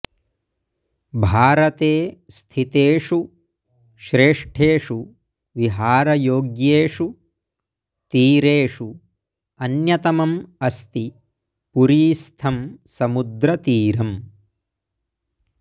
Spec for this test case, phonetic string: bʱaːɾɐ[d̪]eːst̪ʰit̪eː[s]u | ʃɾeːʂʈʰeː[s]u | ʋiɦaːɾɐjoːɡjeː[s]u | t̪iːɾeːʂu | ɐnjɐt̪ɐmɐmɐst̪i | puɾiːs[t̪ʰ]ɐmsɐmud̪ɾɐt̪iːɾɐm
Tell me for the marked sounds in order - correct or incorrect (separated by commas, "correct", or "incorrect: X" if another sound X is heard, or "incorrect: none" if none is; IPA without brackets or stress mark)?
incorrect: t̪, incorrect: ʂ, incorrect: ʂ, incorrect: ʂ, correct